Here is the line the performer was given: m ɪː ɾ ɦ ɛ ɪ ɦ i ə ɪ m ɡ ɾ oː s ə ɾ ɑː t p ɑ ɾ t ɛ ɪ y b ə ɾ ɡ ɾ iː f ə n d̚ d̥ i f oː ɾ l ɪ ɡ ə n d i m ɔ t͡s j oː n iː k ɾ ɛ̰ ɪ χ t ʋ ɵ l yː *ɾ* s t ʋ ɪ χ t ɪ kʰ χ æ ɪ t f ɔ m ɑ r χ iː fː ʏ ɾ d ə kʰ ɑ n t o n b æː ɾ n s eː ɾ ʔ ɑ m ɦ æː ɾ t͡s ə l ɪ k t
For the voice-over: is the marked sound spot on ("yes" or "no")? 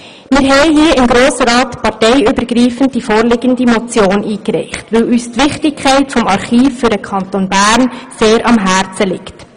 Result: no